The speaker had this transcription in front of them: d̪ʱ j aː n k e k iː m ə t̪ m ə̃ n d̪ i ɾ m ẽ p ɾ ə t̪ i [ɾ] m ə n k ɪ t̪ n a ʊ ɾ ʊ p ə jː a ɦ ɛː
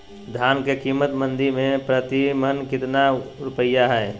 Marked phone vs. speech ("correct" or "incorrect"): incorrect